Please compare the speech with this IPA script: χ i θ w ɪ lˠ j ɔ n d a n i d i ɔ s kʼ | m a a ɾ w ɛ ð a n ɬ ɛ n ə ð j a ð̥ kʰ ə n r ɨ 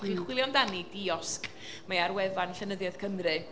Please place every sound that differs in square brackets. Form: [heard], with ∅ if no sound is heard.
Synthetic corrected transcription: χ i [χ] w ɪ lˠ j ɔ n d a n i d i ɔ s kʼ | m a a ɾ w ɛ [v] a n ɬ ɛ n ə ð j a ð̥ kʰ ə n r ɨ